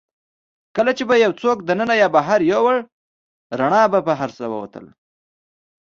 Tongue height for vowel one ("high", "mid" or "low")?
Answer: mid